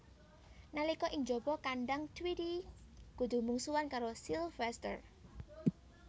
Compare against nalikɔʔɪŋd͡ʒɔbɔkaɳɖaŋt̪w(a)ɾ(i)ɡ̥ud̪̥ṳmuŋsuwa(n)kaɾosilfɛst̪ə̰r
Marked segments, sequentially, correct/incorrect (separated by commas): incorrect, correct, correct